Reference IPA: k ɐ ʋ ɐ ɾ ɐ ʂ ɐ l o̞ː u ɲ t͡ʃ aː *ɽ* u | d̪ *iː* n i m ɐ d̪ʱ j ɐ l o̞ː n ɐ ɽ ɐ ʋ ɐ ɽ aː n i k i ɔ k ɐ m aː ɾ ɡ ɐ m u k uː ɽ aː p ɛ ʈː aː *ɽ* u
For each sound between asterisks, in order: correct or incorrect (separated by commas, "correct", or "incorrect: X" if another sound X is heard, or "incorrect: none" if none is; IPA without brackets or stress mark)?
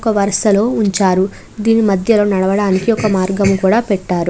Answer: incorrect: ɾ, correct, incorrect: ɾ